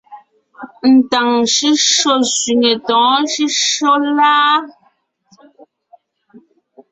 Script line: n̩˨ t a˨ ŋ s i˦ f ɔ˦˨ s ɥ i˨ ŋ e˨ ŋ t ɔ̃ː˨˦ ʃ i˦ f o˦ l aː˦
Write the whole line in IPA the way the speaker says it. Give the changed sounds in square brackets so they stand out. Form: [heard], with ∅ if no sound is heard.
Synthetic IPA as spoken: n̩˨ t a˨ ŋ [ʃ] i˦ [ʃ] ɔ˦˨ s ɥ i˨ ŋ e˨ [∅] t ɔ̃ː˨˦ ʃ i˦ [ʃ] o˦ l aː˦